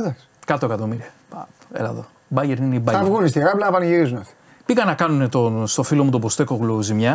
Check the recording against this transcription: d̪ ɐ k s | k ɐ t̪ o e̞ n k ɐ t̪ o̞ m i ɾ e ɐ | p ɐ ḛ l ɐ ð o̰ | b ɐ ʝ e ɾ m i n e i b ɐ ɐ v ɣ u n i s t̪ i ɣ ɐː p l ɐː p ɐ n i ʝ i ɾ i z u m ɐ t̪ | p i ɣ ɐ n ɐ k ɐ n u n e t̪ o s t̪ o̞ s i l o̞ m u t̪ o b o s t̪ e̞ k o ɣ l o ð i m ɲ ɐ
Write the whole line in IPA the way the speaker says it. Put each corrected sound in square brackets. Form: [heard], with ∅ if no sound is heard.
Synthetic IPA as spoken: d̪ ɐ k s | k ɐ t̪ o e̞ [∅] k ɐ t̪ o̞ m i ɾ [i] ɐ | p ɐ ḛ l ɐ ð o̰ | b ɐ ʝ e ɾ [n] i n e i b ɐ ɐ v ɣ u n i s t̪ i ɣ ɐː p l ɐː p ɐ n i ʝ i ɾ i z u [n] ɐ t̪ | p i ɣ ɐ n ɐ k ɐ n u n e t̪ o s t̪ o̞ [f] i l o̞ m u t̪ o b o s t̪ e̞ k o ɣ l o [z] i m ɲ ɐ